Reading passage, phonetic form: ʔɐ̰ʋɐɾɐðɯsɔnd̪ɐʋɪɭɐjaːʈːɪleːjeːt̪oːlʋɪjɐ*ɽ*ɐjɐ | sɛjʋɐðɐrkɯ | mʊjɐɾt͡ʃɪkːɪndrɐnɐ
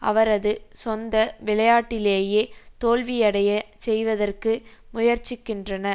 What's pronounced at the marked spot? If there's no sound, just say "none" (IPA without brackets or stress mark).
ɽ